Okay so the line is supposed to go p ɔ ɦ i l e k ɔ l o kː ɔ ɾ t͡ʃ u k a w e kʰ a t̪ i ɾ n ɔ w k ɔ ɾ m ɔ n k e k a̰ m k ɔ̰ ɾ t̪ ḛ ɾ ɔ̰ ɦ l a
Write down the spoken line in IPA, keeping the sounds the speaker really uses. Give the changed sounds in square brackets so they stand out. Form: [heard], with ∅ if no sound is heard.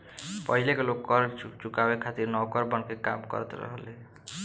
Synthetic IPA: p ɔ ɦ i l e k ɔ l o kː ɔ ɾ t͡ʃ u k a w e kʰ a t̪ i ɾ n ɔ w k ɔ ɾ [b] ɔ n k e k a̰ m k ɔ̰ ɾ t̪ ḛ ɾ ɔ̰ ɦ l [e]